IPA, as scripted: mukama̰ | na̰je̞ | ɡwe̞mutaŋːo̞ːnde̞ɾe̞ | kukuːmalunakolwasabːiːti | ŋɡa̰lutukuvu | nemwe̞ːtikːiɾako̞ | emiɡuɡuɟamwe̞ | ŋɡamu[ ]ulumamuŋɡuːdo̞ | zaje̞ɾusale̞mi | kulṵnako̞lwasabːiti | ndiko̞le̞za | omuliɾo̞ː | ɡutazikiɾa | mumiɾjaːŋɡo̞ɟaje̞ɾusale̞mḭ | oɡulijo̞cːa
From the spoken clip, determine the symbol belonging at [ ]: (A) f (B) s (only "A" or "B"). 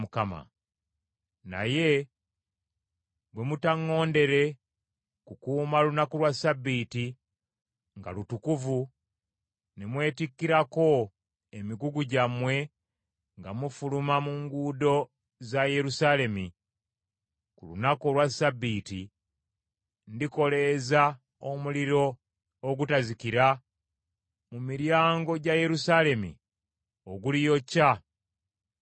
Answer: A